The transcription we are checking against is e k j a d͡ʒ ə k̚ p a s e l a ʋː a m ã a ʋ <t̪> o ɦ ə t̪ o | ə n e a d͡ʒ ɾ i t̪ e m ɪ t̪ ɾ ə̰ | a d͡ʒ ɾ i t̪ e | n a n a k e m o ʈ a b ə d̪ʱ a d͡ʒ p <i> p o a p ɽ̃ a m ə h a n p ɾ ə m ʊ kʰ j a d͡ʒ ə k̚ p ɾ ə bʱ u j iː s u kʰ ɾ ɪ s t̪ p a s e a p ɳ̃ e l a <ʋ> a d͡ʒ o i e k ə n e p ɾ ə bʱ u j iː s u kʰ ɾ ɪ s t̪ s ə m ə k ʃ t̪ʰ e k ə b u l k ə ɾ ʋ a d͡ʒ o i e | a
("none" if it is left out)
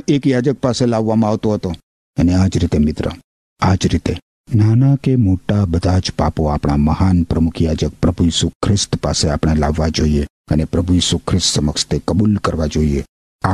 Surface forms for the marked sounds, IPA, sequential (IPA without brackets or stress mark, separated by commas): t̪, a, ʋː